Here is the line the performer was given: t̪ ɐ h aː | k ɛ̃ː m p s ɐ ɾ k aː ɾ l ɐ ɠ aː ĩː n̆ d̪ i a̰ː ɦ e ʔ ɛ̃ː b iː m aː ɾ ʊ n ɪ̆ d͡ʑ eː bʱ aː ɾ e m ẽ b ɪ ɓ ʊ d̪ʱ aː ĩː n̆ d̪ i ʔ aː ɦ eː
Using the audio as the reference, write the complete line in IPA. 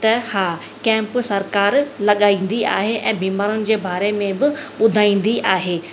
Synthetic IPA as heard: t̪ ɐ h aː | k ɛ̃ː m p s ɐ ɾ k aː ɾ l ɐ ɠ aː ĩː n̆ d̪ i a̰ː ɦ e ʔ ɛ̃ː b iː m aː ɾ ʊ n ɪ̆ d͡ʑ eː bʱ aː ɾ e m ẽ b ɪ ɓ ʊ d̪ʱ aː ĩː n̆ d̪ i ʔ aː ɦ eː